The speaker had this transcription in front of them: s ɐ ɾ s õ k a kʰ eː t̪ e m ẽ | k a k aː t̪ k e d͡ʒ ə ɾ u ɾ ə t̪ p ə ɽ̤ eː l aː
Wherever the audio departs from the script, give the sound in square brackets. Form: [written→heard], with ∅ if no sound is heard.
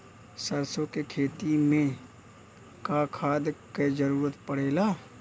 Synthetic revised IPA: s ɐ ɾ s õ k [a→e] kʰ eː t̪ [e→i] m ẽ | k a [k→kʰ] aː [t̪→d̪] k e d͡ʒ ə ɾ [u→uː] ɾ ə t̪ p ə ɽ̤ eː l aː